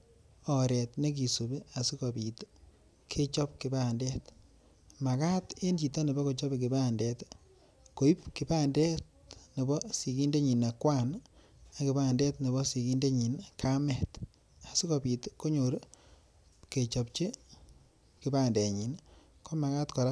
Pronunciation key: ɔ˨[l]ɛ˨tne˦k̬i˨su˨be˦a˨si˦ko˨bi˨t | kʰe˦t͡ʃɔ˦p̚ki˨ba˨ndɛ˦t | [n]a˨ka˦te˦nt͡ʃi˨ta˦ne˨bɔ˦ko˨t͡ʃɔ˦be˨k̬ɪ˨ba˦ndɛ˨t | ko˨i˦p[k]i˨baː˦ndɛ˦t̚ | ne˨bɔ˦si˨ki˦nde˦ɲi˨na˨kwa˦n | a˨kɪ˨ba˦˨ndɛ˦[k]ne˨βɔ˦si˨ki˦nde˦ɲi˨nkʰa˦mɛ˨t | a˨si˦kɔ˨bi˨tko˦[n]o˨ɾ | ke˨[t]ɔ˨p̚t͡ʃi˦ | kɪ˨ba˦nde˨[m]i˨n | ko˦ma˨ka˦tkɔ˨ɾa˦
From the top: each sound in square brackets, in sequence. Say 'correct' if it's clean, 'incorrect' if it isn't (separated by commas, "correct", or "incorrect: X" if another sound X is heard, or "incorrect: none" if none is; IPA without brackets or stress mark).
incorrect: ɾ, incorrect: m, correct, incorrect: t, incorrect: ɲ, incorrect: t͡ʃ, incorrect: ɲ